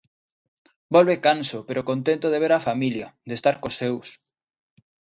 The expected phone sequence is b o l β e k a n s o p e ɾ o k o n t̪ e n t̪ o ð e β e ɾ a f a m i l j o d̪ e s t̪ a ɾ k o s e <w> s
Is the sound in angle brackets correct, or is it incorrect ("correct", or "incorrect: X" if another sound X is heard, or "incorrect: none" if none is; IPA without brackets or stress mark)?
correct